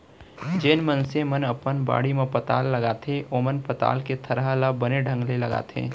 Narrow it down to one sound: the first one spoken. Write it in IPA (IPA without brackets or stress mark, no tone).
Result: d͡ʒ